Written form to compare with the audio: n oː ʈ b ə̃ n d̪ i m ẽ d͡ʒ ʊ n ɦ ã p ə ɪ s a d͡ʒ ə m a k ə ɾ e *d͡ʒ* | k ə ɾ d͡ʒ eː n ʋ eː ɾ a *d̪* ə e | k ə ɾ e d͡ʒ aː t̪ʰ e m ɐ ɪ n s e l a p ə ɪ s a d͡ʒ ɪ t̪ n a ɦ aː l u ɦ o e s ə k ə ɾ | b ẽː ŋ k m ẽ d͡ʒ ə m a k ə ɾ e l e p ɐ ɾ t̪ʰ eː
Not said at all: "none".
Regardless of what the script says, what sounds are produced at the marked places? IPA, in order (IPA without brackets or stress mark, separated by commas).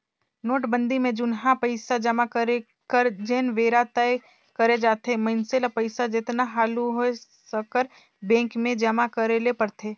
none, t̪